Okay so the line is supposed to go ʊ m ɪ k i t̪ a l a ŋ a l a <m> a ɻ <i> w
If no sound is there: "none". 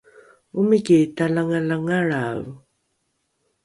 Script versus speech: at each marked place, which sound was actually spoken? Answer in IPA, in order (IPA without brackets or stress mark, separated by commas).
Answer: ŋ, a